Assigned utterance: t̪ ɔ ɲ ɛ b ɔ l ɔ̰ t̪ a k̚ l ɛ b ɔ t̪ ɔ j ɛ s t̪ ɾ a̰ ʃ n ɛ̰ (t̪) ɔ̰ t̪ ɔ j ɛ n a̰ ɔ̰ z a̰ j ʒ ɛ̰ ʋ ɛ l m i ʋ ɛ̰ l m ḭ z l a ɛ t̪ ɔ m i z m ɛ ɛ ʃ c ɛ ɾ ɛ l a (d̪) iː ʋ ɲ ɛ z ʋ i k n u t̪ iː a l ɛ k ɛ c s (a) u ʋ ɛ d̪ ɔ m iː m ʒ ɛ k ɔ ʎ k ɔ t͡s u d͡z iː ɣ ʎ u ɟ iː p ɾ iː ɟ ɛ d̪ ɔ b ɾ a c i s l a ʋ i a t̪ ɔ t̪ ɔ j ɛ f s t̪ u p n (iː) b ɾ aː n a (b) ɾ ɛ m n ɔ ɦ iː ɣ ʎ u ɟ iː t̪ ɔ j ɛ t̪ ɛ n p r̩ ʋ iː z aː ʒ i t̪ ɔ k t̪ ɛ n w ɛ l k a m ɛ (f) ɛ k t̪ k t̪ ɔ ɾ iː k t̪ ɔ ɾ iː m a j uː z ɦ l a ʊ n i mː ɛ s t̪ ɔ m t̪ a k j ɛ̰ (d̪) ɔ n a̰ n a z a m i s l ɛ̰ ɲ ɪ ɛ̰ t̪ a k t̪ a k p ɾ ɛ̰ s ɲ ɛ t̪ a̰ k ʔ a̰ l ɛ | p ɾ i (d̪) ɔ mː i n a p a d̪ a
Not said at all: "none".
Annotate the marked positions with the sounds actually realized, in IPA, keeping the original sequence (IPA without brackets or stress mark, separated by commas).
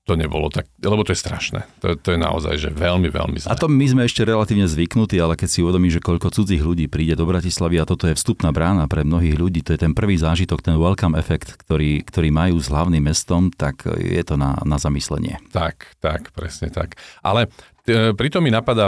t̪, t̪, i, aː, p, f, t̪, t̪